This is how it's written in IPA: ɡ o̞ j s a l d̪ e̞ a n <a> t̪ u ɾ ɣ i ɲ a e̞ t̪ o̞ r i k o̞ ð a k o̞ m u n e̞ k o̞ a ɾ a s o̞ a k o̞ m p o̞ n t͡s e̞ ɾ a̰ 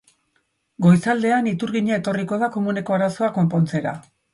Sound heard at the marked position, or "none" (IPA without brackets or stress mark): i